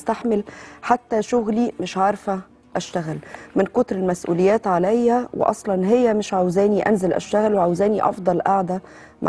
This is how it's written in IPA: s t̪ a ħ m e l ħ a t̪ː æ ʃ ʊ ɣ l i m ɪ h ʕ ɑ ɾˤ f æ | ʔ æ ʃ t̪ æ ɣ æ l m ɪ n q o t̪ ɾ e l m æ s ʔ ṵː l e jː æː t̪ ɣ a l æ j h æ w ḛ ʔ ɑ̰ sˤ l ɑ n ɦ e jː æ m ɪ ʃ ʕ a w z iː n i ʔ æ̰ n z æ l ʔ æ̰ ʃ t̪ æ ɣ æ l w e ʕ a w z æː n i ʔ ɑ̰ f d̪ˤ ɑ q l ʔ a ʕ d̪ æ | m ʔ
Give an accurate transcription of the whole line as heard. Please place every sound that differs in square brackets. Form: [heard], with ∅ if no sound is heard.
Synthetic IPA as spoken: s t̪ a ħ m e l ħ a t̪ː æ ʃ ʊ ɣ l i m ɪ [ʃ] ʕ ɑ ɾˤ f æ | ʔ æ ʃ t̪ æ ɣ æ l m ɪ n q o t̪ ɾ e l m æ s ʔ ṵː l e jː æː t̪ [ʕ] a l æ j h æ w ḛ ʔ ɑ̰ sˤ l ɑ n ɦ e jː æ m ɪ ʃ ʕ a w z [æː] n i ʔ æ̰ n z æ l ʔ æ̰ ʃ t̪ æ ɣ æ l w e ʕ a w z æː n i ʔ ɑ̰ f d̪ˤ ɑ [∅] l ʔ a ʕ d̪ æ | m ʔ